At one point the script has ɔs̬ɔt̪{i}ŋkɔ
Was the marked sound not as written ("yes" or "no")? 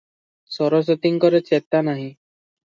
no